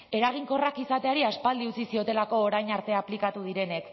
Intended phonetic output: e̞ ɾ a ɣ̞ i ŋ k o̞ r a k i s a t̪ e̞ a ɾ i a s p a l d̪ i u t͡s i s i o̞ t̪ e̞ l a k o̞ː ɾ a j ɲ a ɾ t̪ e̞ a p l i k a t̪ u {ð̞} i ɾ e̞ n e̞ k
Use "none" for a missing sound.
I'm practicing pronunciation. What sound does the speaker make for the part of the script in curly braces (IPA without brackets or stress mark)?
ð̞